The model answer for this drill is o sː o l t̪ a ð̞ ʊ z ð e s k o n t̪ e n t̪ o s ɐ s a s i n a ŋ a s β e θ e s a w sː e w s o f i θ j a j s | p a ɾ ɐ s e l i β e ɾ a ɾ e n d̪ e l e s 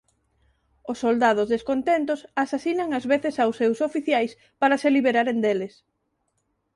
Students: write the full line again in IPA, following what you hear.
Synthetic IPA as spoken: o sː o l d̪ a ð̞ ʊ z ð e s k o n t̪ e n t̪ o s a s a s i n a ŋ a z β e θ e s a w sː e w s o f i θ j a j s | p a ɾ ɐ s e l i β e ɾ a ɾ e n d̪ e l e s